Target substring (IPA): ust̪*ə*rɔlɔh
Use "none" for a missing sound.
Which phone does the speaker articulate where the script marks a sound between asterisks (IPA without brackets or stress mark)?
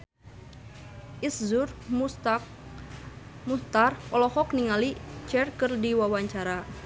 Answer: a